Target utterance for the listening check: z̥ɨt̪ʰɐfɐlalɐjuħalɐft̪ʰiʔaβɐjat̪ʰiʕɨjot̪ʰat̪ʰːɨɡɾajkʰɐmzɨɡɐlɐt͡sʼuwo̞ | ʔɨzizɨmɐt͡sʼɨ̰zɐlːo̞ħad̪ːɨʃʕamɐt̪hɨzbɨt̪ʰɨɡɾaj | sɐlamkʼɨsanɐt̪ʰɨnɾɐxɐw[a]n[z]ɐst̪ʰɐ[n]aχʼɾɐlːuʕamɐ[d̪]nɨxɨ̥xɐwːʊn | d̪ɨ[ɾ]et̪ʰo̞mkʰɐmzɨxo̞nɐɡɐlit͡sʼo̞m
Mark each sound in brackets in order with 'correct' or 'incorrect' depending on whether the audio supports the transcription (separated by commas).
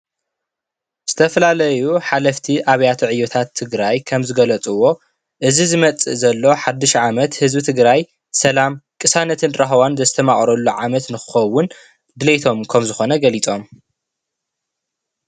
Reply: correct, correct, incorrect, incorrect, incorrect